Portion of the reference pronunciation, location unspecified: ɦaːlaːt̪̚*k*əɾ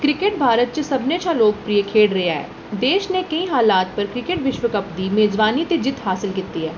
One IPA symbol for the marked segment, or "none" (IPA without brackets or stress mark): p